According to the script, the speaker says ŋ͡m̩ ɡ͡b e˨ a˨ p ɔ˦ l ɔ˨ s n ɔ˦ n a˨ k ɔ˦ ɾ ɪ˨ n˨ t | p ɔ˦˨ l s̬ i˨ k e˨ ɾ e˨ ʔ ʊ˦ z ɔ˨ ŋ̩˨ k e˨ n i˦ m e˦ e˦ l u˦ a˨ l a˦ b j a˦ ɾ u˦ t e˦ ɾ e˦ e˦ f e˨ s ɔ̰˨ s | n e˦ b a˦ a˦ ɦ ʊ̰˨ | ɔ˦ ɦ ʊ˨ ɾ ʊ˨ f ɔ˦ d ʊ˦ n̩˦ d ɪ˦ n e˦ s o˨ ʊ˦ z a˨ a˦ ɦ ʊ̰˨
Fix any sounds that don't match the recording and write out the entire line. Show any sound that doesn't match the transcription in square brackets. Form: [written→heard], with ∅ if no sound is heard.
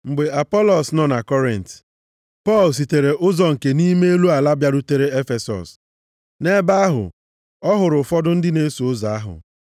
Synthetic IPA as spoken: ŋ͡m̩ ɡ͡b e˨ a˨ p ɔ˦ l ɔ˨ s n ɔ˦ n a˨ k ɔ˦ ɾ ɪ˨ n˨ t | p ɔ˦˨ l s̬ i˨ [k→t] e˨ ɾ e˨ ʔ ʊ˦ z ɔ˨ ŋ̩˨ k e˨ n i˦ m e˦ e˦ l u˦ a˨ l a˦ b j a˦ ɾ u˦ t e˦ ɾ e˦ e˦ f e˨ s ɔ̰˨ s | n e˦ b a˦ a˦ ɦ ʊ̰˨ | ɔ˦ ɦ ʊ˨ ɾ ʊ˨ f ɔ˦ d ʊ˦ n̩˦ d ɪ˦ n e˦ s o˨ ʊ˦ z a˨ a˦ ɦ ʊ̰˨